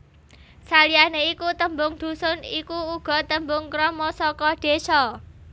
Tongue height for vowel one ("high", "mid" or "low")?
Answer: low